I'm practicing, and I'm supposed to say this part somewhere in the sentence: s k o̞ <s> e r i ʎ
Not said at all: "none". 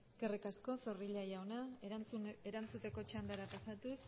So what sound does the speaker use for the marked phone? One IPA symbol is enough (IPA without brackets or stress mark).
f